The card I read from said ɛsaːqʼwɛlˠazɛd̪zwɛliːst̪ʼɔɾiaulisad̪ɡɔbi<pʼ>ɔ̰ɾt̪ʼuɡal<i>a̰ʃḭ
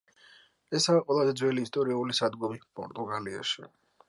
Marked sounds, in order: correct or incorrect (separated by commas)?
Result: correct, correct